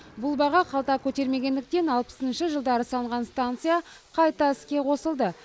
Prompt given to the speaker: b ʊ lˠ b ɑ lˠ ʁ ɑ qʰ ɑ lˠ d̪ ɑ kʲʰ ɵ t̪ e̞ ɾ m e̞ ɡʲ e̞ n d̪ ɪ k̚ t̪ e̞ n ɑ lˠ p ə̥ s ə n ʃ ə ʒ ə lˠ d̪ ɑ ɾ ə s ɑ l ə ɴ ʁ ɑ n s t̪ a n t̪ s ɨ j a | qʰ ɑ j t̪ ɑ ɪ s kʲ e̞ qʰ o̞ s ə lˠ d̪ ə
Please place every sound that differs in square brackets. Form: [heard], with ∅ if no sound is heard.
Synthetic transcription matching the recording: b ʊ lˠ b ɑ [∅] ʁ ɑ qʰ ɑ lˠ [t̪] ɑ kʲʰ ɵ t̪ e̞ ɾ m e̞ ɡʲ e̞ n d̪ ɪ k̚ t̪ e̞ n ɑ lˠ p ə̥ s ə n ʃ ə ʒ ə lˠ d̪ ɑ ɾ ə s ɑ l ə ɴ ʁ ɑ n s t̪ a n t̪ s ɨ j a | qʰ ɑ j t̪ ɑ ɪ s kʲ e̞ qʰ o̞ s ə lˠ d̪ ə